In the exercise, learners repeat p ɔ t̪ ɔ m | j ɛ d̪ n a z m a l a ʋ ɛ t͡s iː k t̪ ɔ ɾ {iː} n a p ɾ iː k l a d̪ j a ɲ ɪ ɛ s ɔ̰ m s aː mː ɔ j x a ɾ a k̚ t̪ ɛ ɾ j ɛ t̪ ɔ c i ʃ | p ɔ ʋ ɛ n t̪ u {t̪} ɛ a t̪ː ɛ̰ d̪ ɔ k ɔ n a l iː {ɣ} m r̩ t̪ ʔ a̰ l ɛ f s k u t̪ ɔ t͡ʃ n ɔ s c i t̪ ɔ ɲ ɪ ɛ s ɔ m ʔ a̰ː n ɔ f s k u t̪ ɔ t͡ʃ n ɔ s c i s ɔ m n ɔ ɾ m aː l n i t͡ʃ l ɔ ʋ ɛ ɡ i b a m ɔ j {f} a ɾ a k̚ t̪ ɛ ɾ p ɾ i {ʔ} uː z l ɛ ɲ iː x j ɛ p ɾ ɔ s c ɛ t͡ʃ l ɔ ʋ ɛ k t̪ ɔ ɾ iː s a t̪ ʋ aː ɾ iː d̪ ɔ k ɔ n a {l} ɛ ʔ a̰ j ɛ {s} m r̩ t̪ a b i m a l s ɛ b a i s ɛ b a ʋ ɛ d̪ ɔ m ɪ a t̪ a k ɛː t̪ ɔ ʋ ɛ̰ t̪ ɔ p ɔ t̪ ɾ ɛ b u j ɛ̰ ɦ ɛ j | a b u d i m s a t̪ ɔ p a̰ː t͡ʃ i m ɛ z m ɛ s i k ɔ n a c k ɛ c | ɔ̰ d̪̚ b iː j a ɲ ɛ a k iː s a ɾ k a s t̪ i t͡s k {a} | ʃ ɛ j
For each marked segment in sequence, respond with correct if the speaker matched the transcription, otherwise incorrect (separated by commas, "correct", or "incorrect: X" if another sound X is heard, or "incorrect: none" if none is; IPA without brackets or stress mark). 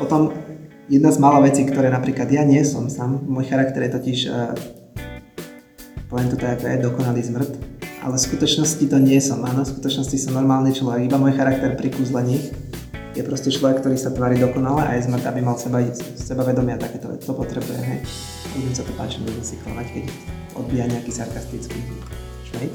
incorrect: ɛː, correct, incorrect: z, incorrect: x, incorrect: k, correct, incorrect: z, incorrect: i